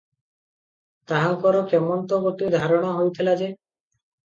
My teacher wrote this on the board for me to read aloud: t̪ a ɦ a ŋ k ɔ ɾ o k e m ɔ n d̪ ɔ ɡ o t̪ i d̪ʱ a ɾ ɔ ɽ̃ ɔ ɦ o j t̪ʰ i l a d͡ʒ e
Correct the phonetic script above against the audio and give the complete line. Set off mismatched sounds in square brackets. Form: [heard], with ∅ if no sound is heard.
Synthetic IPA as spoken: t̪ a ɦ a ŋ k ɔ ɾ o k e m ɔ n [t̪] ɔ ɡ o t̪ i d̪ʱ a ɾ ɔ ɽ̃ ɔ ɦ o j t̪ʰ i l a d͡ʒ e